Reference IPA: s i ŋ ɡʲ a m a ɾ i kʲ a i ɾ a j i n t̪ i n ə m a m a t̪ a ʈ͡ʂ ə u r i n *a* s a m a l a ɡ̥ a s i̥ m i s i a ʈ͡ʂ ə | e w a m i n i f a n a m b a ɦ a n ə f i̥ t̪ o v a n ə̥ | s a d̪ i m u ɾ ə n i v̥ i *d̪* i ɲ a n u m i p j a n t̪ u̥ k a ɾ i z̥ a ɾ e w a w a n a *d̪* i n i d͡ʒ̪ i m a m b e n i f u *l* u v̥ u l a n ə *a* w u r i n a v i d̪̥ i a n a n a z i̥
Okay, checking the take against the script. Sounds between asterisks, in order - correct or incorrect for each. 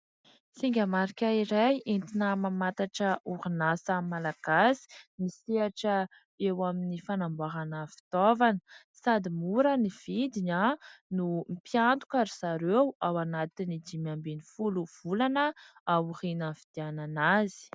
correct, correct, incorrect: t̪, correct, correct

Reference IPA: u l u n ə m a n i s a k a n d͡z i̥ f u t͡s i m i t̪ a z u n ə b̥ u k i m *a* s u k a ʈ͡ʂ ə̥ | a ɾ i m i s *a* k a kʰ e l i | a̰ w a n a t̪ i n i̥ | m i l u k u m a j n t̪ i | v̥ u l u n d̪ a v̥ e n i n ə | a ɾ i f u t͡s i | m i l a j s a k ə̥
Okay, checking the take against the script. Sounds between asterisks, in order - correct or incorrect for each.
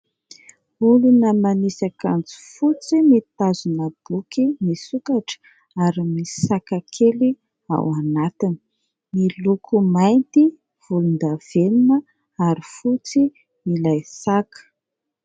incorrect: i, correct

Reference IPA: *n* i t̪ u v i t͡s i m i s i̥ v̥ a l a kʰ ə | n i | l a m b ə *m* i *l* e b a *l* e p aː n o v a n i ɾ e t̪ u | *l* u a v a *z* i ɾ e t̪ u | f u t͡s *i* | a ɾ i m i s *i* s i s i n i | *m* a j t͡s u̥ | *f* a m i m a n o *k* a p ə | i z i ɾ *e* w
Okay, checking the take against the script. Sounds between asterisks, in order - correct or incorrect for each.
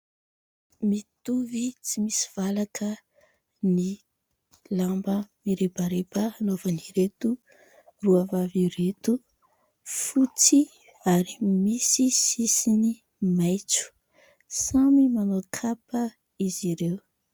incorrect: m, correct, incorrect: ɾ, incorrect: ɾ, incorrect: r, incorrect: v, correct, correct, correct, incorrect: s, incorrect: kʰ, correct

